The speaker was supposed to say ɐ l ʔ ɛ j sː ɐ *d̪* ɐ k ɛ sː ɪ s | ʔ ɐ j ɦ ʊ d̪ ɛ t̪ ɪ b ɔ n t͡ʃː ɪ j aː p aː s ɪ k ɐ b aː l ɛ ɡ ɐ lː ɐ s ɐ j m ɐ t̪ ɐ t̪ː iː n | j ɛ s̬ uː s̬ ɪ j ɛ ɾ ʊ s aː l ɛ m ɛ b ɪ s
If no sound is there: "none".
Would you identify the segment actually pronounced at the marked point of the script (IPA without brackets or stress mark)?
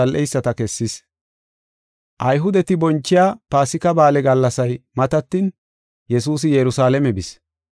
t̪